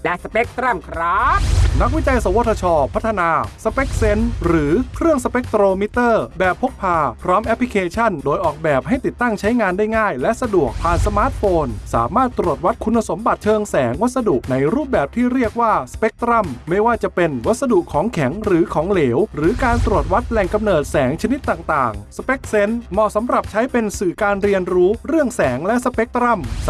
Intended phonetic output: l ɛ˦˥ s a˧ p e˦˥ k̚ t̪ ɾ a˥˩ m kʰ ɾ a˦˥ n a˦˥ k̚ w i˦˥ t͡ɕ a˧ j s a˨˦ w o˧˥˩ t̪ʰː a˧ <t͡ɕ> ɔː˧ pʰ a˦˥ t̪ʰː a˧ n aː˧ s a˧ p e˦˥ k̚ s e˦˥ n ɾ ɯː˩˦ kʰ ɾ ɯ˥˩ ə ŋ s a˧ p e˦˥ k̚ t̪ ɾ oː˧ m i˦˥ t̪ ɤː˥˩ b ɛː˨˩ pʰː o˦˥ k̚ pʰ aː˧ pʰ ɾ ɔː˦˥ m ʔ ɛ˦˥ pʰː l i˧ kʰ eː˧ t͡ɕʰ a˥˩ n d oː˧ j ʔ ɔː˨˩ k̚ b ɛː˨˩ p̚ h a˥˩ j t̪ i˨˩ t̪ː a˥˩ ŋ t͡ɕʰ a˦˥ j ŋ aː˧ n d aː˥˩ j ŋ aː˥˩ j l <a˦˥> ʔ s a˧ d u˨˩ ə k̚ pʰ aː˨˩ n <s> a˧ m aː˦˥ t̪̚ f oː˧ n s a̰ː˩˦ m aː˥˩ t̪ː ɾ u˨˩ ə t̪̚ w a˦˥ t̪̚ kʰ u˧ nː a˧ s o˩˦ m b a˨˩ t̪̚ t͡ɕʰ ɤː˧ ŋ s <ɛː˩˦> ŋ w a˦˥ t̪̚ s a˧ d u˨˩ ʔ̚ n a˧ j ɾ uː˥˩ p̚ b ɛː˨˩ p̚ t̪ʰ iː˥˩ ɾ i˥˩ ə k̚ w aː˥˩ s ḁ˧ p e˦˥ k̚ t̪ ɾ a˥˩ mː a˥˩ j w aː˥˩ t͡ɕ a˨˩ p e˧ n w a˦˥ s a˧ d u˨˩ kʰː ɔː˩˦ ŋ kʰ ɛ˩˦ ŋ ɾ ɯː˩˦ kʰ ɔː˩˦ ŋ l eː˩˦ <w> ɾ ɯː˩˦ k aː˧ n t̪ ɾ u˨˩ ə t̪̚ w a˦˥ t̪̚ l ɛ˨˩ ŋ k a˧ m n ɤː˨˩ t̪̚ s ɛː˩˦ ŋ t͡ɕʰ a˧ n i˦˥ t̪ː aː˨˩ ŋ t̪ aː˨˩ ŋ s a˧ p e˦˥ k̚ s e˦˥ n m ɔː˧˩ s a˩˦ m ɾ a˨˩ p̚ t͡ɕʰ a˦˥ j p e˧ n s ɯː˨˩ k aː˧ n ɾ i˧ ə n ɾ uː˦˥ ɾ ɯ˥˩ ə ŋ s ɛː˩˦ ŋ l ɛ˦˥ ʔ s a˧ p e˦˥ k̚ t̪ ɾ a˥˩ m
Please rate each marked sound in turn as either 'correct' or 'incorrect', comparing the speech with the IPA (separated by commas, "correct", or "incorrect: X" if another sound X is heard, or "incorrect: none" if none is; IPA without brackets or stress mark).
incorrect: t͡ɕʰ, incorrect: ɛ˦˥, correct, correct, correct